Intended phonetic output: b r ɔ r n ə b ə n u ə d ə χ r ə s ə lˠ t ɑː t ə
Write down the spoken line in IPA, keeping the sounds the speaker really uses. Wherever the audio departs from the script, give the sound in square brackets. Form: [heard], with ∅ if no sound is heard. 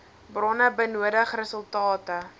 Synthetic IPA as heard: b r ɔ [∅] n ə b ə n u ə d ə χ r ə s ə lˠ t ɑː t ə